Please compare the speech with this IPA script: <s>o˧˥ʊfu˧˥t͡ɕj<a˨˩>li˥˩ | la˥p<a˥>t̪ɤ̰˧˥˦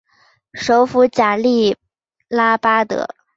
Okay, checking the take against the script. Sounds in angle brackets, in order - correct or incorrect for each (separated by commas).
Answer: incorrect, correct, correct